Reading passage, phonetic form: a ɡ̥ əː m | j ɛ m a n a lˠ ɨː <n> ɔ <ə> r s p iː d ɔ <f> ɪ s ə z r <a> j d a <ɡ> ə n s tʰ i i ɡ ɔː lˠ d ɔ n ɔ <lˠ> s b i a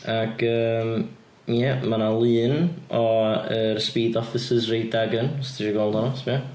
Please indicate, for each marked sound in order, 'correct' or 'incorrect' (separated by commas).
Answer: correct, correct, correct, incorrect, correct, incorrect